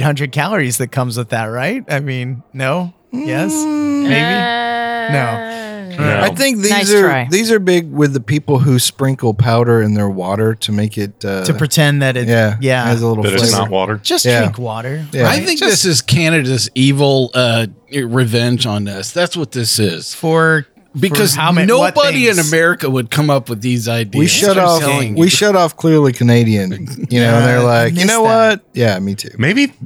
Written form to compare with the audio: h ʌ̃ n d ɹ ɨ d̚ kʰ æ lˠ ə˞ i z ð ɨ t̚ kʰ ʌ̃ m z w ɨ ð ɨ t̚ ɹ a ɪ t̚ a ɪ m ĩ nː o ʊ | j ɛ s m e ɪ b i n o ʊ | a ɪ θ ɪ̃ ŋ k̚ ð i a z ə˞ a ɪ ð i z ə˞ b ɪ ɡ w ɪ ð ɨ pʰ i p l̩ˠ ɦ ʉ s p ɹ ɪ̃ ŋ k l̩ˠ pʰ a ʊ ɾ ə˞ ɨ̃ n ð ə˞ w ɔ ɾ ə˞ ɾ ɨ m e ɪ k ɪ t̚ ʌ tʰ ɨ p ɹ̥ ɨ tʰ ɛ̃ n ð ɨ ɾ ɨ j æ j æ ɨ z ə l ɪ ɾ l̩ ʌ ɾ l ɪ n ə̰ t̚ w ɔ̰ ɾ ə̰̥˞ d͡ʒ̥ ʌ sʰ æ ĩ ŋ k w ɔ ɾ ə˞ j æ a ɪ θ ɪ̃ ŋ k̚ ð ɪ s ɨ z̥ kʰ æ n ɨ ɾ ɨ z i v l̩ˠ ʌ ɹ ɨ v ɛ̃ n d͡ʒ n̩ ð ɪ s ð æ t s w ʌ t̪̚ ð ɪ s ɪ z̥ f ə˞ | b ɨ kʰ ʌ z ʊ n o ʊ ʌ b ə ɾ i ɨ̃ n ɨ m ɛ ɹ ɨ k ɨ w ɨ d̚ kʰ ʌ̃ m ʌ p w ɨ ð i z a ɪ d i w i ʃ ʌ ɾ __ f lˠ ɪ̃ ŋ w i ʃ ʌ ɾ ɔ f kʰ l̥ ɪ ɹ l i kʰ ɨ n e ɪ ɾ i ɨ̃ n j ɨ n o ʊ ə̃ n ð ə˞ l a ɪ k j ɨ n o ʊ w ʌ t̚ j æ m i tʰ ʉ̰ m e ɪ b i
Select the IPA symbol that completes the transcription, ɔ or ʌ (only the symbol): ɔ